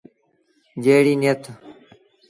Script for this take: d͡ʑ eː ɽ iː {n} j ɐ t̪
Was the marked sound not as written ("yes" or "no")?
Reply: no